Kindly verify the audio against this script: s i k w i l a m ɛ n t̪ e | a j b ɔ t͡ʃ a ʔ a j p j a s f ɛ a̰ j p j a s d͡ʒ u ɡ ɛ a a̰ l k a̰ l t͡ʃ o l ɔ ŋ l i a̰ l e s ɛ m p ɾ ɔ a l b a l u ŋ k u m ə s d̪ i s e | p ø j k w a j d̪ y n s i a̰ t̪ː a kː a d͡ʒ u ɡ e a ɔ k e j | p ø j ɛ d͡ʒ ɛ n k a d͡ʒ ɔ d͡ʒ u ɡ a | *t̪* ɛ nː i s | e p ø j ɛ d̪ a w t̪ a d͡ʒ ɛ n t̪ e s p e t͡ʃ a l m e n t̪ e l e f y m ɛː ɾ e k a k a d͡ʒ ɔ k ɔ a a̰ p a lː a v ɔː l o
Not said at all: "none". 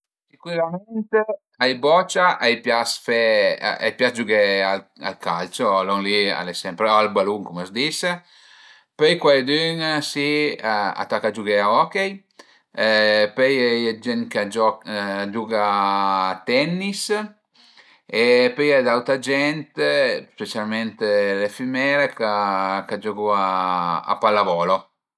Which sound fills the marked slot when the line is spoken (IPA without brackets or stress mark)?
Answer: t̪